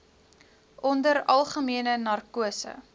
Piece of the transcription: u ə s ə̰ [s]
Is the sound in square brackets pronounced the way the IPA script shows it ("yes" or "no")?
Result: no